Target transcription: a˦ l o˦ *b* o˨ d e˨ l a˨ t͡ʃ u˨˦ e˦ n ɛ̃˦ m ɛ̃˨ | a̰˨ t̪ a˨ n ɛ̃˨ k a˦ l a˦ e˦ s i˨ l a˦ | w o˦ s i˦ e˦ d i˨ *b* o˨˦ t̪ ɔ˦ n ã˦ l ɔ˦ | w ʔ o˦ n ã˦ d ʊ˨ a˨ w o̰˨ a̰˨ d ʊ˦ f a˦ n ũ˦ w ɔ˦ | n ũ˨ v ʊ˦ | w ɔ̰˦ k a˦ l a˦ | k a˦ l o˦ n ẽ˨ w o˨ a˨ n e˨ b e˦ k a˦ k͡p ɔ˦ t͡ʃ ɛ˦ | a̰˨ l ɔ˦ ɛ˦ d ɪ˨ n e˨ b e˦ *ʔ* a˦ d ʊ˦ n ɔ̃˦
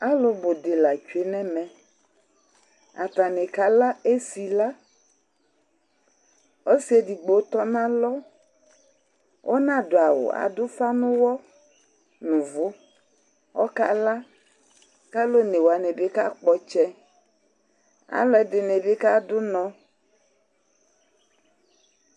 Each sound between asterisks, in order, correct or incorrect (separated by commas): correct, incorrect, incorrect